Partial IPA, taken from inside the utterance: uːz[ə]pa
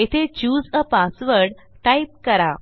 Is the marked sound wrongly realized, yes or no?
no